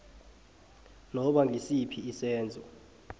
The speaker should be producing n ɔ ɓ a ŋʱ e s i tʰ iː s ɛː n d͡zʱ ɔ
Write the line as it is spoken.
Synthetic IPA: n ɔ ɓ a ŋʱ i s i pʰ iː s ɛː n d͡zʱ ɔ